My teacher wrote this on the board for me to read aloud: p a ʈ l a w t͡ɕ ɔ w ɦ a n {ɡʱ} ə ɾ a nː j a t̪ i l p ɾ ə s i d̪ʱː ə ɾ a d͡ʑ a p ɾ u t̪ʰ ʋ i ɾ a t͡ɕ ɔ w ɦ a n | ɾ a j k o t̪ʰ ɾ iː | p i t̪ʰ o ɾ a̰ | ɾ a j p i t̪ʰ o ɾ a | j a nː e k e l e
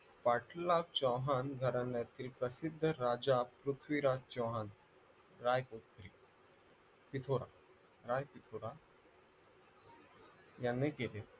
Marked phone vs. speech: correct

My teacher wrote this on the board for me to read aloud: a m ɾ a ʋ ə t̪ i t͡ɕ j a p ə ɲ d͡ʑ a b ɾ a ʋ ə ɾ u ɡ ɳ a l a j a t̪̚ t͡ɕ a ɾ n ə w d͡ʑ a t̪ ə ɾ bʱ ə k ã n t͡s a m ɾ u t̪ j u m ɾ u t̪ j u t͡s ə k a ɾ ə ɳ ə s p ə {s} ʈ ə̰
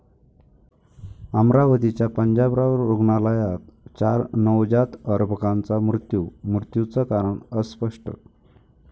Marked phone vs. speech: incorrect: ʂ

